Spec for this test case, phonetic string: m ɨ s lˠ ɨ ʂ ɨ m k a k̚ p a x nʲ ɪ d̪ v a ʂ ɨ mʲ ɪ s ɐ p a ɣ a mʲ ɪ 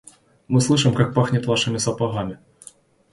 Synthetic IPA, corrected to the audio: m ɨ s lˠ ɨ ʂ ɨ m k a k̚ p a x nʲ ɪ t̪ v a ʂ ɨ mʲ ɪ s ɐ p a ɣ a mʲ ɪ